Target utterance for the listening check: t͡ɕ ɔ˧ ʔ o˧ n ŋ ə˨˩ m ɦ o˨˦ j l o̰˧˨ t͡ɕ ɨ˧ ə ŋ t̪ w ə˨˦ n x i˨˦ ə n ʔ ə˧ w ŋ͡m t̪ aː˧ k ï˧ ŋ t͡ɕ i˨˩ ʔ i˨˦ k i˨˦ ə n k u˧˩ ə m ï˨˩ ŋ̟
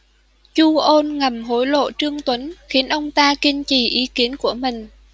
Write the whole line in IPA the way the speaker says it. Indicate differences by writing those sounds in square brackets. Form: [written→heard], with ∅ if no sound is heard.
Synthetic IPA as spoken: t͡ɕ [ɔ˧→u˧] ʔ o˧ n ŋ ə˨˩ m ɦ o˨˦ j l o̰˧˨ t͡ɕ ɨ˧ ə ŋ t̪ w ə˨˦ n x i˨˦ ə n ʔ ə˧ w ŋ͡m t̪ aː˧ k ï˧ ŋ t͡ɕ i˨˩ ʔ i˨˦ k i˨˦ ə n k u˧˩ ə m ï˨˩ ŋ̟